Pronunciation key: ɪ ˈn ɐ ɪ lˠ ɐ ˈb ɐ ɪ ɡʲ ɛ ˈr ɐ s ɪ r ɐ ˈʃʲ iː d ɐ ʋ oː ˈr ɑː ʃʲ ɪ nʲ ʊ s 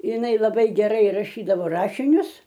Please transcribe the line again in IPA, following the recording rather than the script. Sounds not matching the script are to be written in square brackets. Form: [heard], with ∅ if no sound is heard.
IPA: ɪ ˈn ɐ ɪ lˠ ɐ ˈb ɐ ɪ ɡʲ ɛ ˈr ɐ [∅] ɪ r ɐ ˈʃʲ iː d ɐ ʋ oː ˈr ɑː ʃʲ ɪ nʲ ʊ s